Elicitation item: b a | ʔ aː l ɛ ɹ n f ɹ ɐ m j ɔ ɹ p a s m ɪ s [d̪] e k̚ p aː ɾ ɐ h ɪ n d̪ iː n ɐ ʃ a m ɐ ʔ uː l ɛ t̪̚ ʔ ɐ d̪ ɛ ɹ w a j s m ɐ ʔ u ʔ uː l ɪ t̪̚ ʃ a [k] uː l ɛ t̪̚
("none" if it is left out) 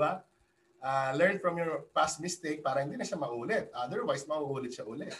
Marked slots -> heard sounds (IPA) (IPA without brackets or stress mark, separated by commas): t̪, ʔ